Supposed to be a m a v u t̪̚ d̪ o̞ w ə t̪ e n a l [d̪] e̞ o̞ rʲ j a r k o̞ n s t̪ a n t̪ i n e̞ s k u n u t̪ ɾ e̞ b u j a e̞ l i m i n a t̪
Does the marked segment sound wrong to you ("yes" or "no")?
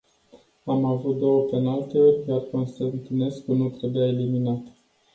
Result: yes